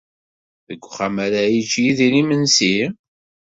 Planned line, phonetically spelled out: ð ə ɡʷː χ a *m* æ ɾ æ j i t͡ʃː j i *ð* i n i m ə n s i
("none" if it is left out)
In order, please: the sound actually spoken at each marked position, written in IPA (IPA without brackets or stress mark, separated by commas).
m, ð